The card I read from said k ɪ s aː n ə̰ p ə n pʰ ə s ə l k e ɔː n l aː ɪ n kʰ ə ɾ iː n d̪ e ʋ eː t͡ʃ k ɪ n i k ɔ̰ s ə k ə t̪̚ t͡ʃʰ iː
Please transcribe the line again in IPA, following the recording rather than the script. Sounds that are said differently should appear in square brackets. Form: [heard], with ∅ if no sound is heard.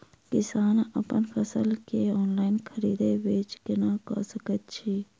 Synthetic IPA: k ɪ s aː n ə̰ p ə n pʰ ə s ə l k e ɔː n l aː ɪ n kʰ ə ɾ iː [∅] d̪ e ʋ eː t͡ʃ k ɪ n [a] k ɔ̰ s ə k ə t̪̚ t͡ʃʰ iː